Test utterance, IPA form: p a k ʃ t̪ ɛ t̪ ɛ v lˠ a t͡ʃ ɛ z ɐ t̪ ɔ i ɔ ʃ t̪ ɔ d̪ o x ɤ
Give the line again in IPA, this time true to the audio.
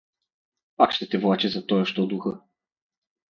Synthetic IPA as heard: p a k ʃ t̪ ɛ t̪ ɛ v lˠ a t͡ʃ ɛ z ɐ t̪ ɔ j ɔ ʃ t̪ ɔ d̪ u x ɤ